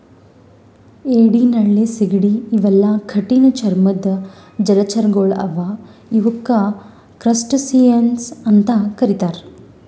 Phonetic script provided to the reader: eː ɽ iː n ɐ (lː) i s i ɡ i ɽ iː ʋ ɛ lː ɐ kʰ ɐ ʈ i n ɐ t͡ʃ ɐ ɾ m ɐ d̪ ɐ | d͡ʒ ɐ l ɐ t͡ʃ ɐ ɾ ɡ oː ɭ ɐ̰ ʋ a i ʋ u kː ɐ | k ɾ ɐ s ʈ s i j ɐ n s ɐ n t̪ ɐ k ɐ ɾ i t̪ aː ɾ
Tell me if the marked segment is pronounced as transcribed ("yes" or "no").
no